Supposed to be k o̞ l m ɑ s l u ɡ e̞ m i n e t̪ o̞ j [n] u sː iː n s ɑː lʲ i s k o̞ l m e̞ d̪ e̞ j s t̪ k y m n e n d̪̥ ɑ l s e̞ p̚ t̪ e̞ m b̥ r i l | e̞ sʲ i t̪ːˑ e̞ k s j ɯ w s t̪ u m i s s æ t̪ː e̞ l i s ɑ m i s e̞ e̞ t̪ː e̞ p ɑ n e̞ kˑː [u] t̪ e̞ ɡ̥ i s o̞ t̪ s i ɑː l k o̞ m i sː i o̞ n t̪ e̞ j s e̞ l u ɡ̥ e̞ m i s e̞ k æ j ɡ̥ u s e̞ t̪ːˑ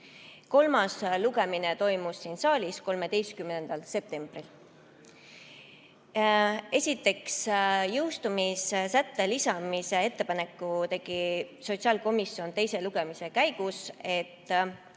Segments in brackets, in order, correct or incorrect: incorrect, correct

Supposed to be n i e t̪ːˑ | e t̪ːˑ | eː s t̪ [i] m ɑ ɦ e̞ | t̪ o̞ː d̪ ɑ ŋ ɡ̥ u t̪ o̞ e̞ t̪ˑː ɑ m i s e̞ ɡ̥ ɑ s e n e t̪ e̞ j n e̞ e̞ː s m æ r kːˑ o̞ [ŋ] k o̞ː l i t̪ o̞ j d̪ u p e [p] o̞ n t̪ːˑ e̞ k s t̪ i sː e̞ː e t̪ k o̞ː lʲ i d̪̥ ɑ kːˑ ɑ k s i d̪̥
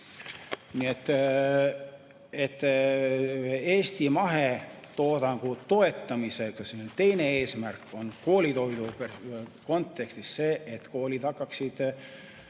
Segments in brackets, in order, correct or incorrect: correct, incorrect, incorrect

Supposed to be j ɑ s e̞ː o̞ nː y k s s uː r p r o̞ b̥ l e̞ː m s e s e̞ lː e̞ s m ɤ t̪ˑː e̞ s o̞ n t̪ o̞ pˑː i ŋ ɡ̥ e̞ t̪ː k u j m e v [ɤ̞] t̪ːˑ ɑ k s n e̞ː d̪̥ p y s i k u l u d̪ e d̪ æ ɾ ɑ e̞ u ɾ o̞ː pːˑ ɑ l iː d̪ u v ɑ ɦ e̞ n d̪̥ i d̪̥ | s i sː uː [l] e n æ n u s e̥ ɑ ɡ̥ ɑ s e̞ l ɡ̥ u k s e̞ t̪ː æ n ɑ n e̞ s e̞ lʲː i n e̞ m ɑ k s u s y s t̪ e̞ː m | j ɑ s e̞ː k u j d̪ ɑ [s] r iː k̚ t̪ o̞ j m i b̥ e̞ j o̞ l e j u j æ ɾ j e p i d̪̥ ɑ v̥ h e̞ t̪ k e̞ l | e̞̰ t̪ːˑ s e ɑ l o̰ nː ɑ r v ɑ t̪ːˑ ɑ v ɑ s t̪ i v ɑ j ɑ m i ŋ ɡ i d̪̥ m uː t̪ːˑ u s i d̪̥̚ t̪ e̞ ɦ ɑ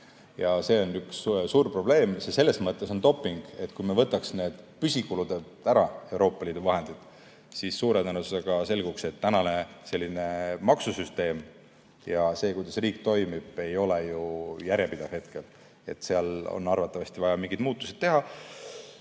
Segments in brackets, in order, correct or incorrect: correct, incorrect, correct

